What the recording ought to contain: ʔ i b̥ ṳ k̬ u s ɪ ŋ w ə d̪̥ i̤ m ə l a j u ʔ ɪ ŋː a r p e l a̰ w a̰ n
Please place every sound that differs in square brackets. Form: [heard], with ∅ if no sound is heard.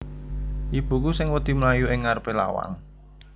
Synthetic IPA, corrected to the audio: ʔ i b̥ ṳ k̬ u s ɪ ŋ w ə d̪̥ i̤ m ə l a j u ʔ ɪ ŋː a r p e l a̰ w a̰ [ŋ]